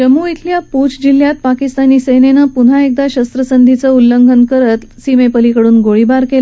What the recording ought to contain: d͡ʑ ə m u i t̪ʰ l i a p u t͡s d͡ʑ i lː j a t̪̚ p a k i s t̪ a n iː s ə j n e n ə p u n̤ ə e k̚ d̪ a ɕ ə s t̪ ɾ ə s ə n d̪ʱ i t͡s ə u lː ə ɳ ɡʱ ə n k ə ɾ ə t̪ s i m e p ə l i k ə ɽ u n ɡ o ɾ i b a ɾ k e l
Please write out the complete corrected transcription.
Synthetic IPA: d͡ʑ ə m u i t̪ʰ l j a p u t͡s d͡ʑ i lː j a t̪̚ p a k i s t̪ a n iː s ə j n e n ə p u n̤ a e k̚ d̪ a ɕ ə s t̪ ɾ ə s ə n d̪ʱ i t͡s ə u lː ə ŋ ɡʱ ə n k ə ɾ ə t̪ s i m e p ə l i k ə ɽ uː n ɡ o ɭ i b a ɾ k e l